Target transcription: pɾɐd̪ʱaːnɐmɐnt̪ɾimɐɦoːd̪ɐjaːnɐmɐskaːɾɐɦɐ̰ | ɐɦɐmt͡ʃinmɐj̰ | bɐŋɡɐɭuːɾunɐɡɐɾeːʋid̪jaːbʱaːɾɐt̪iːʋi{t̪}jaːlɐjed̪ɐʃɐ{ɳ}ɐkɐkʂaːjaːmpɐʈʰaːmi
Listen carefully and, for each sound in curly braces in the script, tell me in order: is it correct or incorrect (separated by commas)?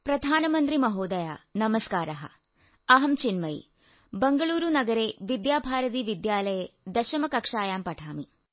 incorrect, incorrect